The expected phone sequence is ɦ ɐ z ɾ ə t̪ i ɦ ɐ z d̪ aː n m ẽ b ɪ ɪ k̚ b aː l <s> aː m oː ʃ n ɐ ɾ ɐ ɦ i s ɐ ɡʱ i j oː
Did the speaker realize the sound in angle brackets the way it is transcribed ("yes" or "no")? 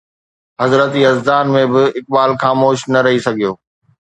no